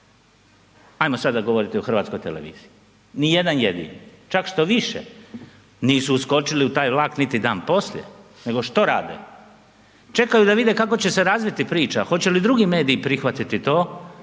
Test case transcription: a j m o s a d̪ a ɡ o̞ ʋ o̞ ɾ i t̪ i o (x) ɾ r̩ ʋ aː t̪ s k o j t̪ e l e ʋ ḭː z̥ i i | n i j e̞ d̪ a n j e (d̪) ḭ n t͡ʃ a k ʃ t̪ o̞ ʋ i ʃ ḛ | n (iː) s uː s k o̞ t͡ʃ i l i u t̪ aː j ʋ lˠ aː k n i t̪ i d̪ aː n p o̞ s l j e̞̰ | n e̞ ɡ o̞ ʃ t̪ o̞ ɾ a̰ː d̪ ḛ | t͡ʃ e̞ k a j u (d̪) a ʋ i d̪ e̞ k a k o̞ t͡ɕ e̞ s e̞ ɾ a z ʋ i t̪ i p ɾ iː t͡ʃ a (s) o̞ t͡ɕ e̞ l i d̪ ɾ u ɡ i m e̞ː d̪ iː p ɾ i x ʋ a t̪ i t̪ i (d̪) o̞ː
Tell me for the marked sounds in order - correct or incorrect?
correct, correct, correct, correct, incorrect, incorrect

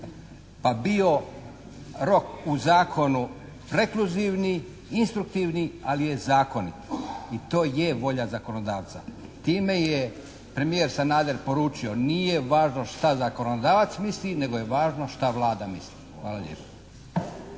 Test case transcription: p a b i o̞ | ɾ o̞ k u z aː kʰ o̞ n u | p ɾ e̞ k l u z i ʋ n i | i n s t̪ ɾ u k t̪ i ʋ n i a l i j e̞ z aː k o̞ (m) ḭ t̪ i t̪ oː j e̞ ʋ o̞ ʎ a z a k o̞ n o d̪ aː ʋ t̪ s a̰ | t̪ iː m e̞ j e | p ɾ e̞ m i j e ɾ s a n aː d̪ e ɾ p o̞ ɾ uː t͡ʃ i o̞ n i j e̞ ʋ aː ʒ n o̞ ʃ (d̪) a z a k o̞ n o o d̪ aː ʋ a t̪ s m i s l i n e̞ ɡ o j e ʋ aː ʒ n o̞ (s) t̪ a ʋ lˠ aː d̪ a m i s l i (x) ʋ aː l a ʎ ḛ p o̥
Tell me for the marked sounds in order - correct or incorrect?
incorrect, incorrect, incorrect, correct

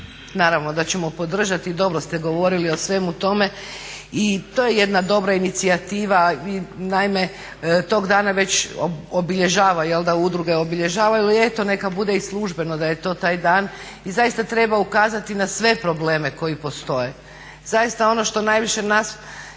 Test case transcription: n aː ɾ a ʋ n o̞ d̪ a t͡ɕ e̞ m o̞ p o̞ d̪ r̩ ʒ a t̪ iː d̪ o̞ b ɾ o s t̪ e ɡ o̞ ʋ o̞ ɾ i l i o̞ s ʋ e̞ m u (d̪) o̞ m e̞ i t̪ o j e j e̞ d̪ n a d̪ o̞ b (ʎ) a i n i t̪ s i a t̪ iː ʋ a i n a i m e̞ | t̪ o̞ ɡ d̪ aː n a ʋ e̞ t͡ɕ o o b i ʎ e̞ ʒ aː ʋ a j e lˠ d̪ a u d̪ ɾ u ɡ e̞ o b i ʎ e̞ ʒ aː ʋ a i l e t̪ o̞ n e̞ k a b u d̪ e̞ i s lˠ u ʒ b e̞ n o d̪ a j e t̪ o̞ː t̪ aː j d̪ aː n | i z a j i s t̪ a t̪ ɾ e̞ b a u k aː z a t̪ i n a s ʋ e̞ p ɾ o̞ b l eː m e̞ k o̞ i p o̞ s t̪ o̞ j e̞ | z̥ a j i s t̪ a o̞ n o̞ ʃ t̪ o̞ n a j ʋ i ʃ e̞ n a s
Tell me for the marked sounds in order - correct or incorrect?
incorrect, incorrect

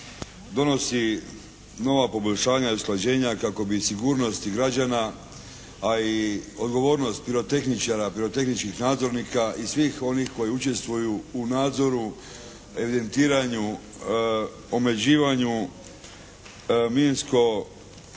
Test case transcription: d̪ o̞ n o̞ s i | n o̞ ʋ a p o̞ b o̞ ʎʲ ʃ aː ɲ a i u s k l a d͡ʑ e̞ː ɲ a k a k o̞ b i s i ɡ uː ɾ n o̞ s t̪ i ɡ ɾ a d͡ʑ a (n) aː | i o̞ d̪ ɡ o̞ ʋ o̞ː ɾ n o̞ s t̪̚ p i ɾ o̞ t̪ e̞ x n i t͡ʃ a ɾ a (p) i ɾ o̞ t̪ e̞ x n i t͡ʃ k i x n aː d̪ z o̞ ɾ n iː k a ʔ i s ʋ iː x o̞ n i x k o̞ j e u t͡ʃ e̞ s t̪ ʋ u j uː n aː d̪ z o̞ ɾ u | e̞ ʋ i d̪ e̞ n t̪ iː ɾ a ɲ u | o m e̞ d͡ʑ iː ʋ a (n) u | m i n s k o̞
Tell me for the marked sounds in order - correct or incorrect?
correct, correct, incorrect

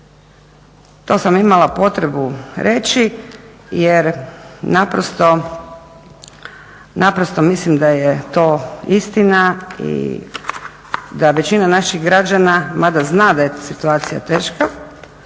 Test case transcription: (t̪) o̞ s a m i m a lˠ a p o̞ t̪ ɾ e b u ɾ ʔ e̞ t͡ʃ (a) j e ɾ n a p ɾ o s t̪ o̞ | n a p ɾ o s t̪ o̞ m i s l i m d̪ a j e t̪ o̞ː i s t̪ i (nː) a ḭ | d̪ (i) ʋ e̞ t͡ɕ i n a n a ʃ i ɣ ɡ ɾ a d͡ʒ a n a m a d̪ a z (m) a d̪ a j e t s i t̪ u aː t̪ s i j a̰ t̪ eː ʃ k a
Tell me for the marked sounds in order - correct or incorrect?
correct, incorrect, incorrect, incorrect, incorrect

